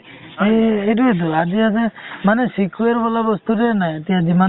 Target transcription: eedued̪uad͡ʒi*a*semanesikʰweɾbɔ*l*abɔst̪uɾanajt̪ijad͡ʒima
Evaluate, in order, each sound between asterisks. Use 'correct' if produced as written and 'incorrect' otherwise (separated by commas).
correct, correct